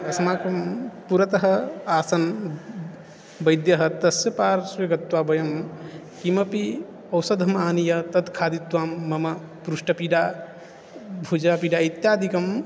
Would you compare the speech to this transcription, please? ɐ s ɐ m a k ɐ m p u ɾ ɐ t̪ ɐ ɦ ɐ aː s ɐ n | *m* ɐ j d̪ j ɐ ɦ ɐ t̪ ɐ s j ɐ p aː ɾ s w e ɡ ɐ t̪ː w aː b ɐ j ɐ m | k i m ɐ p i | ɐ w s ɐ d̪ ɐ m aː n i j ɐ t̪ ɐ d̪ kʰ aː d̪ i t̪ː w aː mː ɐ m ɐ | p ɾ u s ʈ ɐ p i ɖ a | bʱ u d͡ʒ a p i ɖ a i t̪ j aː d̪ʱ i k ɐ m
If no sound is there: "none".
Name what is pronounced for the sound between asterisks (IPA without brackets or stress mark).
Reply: b